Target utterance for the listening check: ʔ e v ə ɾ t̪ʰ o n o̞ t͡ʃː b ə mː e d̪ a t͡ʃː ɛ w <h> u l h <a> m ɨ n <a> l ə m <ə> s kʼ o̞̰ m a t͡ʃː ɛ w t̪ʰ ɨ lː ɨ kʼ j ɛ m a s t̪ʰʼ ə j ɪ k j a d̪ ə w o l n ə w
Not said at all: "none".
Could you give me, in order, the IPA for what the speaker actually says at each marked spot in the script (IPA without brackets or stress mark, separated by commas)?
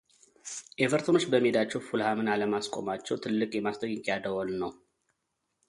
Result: f, a, a, a